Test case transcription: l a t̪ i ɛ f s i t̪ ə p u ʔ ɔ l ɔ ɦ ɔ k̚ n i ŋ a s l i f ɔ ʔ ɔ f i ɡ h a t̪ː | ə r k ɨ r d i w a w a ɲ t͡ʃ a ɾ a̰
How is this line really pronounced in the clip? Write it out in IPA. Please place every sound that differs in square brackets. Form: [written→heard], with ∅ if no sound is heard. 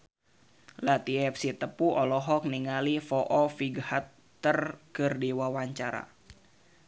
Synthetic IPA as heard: l a t̪ i ɛ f s i t̪ ə p u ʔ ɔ l ɔ ɦ ɔ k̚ n i ŋ a [s→∅] l i f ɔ ʔ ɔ f i ɡ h a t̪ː | ə r k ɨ r d i w a w a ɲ t͡ʃ a ɾ a̰